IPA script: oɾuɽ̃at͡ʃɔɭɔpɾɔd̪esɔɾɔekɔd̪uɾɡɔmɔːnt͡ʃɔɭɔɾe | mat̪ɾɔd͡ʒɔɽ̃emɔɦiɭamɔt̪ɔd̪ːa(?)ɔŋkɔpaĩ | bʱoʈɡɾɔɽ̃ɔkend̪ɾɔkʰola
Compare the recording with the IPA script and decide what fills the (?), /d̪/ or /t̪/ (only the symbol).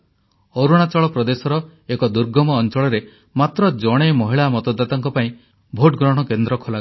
t̪